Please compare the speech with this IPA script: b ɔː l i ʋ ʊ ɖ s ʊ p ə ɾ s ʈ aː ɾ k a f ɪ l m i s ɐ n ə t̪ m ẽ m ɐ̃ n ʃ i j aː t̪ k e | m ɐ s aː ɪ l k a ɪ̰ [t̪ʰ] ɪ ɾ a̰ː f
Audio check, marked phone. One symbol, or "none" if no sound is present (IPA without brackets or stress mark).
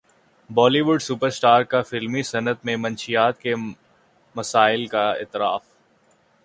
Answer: t̪